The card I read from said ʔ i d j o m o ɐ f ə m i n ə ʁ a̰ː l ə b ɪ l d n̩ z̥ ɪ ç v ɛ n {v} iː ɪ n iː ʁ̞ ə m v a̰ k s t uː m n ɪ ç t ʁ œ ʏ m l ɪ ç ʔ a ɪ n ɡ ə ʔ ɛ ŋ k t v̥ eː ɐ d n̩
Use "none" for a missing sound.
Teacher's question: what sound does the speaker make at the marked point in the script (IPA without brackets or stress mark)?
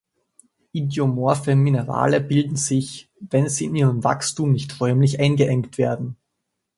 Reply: z